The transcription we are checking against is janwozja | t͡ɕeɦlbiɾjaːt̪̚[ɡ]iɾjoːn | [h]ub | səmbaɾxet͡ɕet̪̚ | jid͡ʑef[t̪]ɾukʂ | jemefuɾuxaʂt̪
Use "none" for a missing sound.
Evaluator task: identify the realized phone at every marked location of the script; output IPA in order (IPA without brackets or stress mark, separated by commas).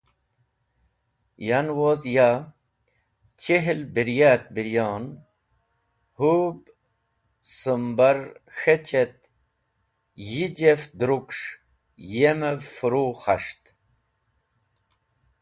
b, h, d̪